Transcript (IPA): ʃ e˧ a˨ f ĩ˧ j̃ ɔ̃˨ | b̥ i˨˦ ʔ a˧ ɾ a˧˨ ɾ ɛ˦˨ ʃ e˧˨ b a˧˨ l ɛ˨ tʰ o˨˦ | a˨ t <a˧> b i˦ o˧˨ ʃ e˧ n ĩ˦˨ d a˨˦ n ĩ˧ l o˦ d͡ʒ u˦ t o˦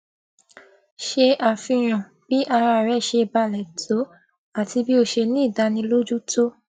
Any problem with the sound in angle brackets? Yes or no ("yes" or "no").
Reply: yes